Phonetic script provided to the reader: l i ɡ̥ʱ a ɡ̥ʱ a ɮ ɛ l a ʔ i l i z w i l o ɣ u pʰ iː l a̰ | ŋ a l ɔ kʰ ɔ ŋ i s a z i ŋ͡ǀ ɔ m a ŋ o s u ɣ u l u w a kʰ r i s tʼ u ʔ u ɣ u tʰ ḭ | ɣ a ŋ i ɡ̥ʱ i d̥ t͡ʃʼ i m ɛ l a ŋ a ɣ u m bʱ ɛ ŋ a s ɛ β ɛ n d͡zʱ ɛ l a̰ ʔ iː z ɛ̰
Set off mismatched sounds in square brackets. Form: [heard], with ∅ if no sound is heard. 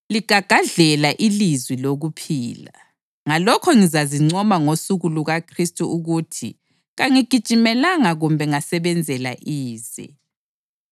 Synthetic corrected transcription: l i ɡ̥ʱ a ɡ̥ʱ a ɮ ɛ l a ʔ i l i z w i l o ɣ u pʰ iː l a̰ | ŋ a l ɔ kʰ ɔ ŋ i [z] a z i ŋ͡ǀ ɔ m a ŋ o s u ɣ u l u [ɣ] a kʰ r i s tʼ u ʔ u ɣ u tʰ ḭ | ɣ a ŋ i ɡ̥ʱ i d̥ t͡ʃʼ i m ɛ l a ŋ a ɣ u m bʱ ɛ ŋ a s ɛ β ɛ n d͡zʱ ɛ l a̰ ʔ iː z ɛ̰